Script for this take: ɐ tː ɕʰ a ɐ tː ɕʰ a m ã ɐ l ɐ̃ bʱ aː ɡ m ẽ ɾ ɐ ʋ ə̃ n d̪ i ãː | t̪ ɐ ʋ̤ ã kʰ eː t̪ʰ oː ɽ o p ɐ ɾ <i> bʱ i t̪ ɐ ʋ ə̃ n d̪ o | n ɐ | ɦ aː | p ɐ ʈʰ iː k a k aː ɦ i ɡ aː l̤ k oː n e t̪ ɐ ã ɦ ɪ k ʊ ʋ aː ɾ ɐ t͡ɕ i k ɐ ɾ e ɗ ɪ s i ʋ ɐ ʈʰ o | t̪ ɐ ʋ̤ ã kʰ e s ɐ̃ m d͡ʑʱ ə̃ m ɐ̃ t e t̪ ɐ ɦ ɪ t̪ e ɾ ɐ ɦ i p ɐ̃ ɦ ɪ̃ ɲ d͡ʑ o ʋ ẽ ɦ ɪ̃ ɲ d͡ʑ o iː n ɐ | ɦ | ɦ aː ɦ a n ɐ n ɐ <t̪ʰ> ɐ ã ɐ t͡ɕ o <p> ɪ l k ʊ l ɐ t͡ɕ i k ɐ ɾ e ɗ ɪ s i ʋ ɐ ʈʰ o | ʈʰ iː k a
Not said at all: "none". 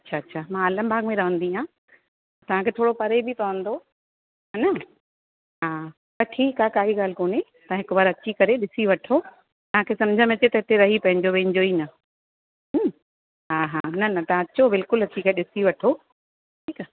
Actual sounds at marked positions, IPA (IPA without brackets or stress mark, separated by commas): e, t̪, b